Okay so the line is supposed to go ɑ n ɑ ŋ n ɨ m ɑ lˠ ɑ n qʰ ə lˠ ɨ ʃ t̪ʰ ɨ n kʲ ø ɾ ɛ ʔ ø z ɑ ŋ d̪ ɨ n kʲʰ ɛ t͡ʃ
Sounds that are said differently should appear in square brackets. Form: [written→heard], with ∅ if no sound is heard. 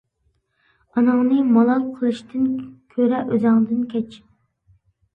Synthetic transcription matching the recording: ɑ n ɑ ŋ n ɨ m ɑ lˠ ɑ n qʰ ə lˠ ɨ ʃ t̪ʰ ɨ n [kʲ→kʲʰ] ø ɾ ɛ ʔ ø z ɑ ŋ d̪ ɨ n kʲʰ ɛ t͡ʃ